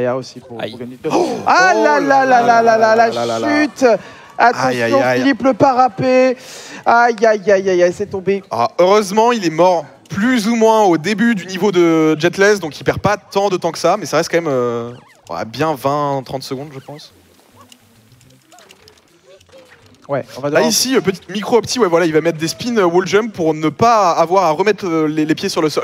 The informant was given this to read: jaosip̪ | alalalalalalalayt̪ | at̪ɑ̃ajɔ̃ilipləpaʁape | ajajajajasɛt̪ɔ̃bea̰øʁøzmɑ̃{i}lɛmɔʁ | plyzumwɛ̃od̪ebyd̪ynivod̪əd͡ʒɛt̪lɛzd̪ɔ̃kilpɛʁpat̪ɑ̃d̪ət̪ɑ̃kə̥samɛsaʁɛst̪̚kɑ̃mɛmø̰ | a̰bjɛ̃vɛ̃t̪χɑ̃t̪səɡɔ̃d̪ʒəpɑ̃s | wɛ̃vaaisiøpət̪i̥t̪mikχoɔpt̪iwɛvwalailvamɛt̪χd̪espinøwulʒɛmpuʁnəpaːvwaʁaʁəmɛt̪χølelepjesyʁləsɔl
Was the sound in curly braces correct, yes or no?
yes